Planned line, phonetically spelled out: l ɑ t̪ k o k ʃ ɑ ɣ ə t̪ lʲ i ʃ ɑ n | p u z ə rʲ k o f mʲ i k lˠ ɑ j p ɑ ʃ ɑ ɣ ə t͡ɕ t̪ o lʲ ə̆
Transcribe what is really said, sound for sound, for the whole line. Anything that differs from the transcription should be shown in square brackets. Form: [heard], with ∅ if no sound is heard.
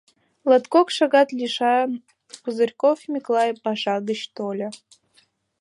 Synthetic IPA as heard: l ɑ t̪ k o k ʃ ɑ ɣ [ɑ] t̪ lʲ i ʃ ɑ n | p u z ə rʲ k o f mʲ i k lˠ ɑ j p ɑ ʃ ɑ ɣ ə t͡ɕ t̪ o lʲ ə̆

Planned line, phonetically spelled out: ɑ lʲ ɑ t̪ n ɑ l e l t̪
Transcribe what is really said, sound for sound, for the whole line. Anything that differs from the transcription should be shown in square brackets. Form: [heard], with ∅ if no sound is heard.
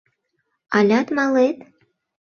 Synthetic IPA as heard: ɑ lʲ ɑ t̪ [m] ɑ l e [∅] t̪

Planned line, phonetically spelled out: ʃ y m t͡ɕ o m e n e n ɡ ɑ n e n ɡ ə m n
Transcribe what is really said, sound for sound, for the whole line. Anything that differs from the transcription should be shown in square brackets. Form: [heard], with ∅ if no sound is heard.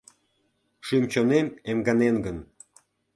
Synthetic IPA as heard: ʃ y m t͡ɕ o [n] e [m] e [m] ɡ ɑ n e n ɡ ə [∅] n

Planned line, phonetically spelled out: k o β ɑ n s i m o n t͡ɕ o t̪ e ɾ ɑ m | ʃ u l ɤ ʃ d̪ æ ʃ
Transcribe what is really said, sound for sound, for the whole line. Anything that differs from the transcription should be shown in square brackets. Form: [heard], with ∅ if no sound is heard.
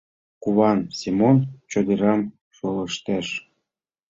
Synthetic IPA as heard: k [u] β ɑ n s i m o n t͡ɕ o [d̪] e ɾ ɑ m | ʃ [o] l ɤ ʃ [t̪] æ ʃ

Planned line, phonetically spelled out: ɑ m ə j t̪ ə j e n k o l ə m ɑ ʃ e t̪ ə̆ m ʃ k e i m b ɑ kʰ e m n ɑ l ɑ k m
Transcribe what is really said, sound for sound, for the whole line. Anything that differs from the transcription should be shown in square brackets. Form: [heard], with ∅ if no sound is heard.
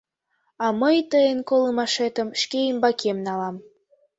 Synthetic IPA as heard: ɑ m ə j t̪ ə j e n k o l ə m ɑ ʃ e t̪ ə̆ m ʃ k e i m b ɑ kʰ e m n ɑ l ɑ [∅] m

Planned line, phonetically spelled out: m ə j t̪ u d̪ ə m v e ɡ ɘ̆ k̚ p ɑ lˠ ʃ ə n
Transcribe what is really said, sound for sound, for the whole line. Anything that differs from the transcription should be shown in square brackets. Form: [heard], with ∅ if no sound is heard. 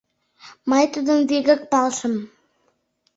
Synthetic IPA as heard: m [ɑ] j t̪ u d̪ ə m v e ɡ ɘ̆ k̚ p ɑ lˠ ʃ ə [m]

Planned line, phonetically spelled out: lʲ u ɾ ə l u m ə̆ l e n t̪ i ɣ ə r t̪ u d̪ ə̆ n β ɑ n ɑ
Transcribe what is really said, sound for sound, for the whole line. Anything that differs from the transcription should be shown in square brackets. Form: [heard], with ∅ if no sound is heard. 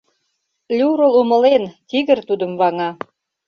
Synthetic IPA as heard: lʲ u ɾ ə l u m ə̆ l e n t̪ i ɣ ə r t̪ u d̪ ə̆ [m] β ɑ [ŋ] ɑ

